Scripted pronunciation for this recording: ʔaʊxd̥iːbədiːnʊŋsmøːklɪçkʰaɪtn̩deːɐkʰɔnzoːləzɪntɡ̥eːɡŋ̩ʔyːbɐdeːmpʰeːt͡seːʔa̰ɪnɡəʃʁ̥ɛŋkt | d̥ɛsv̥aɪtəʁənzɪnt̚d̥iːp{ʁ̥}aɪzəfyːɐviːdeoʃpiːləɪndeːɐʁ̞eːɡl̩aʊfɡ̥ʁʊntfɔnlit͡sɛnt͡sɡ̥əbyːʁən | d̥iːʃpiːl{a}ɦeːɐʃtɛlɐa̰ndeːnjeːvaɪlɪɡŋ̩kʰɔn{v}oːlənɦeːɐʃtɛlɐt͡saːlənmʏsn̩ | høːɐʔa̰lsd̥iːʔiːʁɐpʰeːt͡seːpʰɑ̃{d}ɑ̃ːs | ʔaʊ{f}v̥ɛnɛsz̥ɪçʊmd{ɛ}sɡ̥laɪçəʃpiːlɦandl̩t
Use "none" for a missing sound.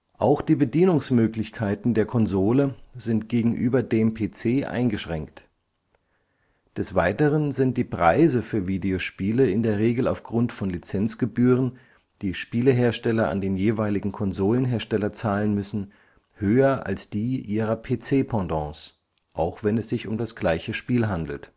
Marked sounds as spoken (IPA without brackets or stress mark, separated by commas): ʁ̥, ə, z, d, x, a